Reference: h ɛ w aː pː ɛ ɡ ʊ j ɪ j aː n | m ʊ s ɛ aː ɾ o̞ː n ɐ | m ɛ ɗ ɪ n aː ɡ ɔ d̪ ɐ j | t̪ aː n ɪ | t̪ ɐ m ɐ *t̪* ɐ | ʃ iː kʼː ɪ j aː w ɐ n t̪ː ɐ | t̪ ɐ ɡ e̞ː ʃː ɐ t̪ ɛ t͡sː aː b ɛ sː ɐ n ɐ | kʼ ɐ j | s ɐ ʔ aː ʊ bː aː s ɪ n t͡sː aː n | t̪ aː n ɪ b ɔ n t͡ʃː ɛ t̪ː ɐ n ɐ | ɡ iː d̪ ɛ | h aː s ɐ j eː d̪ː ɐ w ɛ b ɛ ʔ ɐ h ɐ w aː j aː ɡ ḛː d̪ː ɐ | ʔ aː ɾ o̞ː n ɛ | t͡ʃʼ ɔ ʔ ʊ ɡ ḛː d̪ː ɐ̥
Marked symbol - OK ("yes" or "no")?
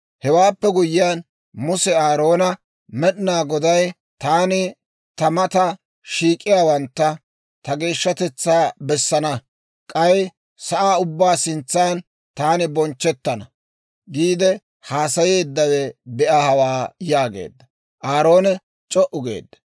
yes